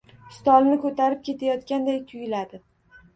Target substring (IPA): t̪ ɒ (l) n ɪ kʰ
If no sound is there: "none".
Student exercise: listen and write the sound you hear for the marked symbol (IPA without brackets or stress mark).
l